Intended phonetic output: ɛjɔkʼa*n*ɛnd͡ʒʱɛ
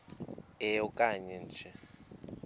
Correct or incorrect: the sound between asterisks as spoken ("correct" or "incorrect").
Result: incorrect